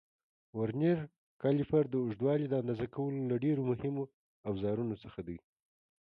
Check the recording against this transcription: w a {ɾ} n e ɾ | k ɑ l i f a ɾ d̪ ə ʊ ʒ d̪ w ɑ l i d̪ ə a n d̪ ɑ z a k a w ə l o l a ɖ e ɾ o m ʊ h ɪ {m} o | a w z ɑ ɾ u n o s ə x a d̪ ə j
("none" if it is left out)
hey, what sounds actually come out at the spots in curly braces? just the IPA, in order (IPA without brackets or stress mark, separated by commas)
ɾ, m